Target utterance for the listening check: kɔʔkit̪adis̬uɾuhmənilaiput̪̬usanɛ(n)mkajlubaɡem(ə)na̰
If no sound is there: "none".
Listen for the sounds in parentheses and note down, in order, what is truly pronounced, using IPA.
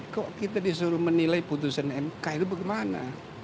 none, a

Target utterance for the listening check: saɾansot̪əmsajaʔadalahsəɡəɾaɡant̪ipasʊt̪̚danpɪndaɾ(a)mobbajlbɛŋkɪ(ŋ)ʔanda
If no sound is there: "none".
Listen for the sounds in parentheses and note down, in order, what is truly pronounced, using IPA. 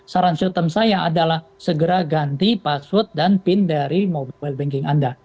i, ŋ

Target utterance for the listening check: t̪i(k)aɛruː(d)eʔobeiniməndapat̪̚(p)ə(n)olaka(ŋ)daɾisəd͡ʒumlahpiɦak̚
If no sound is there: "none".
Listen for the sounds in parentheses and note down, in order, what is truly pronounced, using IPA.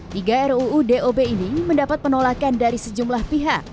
ɡ, d, p, n, n

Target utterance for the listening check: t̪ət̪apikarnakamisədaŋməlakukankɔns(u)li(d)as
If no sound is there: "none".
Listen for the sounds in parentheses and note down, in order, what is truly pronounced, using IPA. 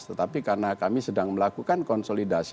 o, d

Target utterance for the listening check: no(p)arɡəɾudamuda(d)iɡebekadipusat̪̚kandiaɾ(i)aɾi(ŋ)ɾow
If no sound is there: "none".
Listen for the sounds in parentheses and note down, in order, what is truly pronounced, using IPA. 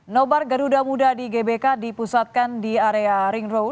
b, d, e, ŋ

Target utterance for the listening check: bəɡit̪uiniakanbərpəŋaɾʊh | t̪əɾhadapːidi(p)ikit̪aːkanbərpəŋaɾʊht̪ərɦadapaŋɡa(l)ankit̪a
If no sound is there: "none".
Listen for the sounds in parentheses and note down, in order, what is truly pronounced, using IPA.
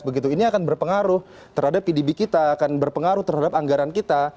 b, ɾ

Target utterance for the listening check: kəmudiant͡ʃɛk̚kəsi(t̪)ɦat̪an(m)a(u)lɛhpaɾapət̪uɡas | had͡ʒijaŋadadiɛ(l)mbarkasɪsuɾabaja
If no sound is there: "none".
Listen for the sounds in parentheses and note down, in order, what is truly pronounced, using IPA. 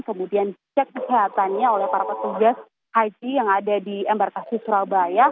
none, ɲ, o, none

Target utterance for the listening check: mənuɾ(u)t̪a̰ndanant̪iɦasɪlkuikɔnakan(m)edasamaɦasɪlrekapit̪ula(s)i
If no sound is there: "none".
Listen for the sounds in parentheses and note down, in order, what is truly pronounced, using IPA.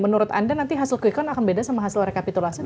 ʊ, b, s

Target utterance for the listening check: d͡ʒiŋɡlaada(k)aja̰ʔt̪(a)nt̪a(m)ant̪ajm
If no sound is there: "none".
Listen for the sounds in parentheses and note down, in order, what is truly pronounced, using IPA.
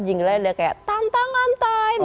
k, a, ŋ

